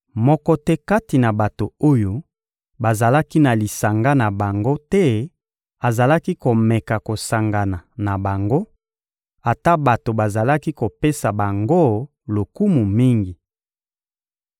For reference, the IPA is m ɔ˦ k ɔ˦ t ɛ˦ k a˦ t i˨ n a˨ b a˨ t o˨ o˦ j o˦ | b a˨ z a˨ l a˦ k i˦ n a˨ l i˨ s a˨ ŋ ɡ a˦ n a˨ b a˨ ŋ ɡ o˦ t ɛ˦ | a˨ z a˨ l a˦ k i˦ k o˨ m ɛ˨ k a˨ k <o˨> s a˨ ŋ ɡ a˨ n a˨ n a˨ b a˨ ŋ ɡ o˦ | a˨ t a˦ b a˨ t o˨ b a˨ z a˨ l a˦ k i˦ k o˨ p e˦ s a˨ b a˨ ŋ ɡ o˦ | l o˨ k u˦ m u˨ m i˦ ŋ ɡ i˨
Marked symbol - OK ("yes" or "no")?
yes